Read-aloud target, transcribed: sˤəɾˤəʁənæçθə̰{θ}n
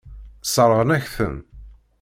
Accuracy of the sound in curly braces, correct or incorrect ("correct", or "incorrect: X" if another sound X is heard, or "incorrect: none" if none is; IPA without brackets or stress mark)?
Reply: incorrect: none